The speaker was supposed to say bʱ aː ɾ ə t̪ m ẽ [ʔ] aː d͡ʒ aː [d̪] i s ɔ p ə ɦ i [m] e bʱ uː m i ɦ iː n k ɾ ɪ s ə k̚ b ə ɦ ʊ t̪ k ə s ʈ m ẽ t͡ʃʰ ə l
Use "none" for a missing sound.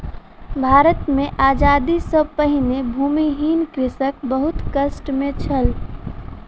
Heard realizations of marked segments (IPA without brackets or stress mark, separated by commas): ʔ, d̪, n